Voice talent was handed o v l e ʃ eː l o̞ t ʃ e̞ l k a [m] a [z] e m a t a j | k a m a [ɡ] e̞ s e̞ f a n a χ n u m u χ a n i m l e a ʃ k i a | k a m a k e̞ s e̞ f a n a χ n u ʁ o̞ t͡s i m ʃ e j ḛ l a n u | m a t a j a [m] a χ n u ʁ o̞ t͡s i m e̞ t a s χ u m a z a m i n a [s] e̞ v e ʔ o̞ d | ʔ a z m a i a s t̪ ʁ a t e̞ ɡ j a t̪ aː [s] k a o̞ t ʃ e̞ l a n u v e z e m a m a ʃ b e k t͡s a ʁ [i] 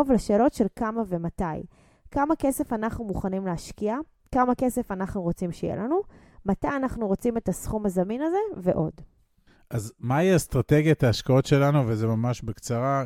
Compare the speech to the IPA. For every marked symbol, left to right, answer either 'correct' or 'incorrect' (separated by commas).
correct, incorrect, incorrect, incorrect, incorrect, incorrect, incorrect